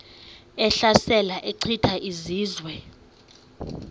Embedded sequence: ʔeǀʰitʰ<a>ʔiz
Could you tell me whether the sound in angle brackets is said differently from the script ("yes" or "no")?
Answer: no